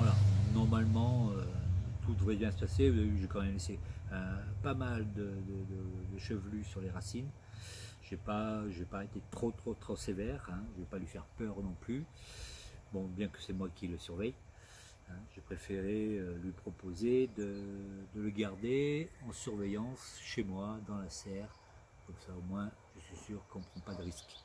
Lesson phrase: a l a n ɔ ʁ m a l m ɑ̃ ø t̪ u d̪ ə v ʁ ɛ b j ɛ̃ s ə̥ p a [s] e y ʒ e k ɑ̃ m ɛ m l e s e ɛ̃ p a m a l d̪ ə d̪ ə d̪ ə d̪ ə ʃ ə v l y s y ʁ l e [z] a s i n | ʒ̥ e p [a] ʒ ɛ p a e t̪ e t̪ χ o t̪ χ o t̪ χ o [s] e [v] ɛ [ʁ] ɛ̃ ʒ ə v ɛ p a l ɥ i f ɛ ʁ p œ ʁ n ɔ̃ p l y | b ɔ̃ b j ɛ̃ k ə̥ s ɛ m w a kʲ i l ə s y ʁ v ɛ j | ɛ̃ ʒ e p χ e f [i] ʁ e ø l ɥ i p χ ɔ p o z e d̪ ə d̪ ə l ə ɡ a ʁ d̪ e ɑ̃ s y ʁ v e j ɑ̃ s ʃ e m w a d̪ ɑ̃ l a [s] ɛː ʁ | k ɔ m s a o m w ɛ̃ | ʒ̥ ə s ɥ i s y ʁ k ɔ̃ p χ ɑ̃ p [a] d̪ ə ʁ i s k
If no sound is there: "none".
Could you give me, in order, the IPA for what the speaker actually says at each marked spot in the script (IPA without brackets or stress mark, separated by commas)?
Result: s, ʁ, a, s, v, ʁ, e, s, a